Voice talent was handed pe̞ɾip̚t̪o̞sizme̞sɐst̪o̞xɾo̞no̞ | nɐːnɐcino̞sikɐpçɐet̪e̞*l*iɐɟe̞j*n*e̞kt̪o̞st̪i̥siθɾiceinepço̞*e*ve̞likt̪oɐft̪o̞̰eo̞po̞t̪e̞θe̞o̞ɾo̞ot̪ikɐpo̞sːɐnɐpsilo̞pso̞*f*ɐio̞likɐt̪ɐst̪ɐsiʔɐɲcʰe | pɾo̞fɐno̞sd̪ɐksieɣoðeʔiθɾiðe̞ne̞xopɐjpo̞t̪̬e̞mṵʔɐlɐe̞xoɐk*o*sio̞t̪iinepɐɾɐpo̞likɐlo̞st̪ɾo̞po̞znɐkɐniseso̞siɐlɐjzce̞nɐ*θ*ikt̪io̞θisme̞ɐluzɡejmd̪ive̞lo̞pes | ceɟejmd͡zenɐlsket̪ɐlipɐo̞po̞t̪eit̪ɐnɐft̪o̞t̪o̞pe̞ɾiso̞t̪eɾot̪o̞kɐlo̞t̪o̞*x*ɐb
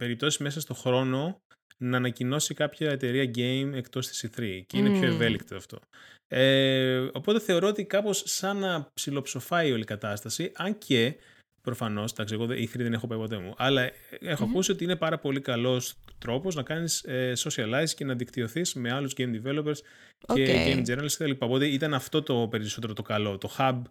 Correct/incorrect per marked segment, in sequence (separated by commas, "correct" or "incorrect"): incorrect, incorrect, correct, correct, incorrect, incorrect, correct